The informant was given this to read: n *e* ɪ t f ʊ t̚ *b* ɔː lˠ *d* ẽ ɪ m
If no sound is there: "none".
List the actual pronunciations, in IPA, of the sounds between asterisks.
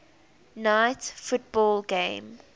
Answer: a, b, ɡ

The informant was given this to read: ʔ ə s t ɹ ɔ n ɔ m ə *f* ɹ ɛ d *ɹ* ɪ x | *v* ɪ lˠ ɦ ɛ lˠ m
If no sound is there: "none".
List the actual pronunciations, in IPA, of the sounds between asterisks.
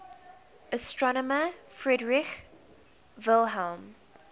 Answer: f, ɹ, v

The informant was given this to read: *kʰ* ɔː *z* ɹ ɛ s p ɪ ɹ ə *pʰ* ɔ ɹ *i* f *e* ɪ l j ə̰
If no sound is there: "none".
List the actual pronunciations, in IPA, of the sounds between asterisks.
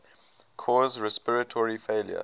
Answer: kʰ, z, tʰ, i, e

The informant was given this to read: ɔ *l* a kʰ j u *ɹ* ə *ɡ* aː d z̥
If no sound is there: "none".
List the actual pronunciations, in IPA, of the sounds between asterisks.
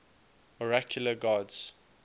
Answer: ɹ, l, ɡ

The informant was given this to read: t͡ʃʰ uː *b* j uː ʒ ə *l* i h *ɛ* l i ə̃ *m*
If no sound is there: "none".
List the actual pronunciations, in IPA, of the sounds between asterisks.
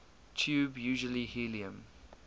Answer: b, l, i, m

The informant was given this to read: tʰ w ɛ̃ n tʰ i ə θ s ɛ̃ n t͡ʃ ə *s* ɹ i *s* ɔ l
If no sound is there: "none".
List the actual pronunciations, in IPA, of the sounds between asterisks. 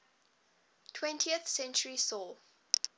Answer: none, s

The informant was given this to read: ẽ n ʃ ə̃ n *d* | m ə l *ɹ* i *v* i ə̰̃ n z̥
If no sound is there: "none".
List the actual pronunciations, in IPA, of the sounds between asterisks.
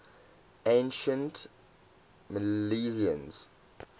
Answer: t, l, z

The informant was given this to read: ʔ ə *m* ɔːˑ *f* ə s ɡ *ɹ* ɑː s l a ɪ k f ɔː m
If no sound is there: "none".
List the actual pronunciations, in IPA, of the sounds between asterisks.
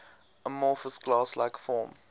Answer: m, f, l

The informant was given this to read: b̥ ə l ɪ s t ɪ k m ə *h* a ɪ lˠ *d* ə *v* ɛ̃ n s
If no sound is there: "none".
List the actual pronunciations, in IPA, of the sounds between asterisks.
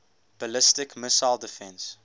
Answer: s, d, f

